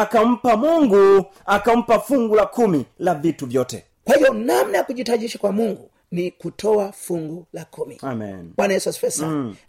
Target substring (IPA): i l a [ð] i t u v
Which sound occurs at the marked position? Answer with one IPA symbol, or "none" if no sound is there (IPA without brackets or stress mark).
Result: v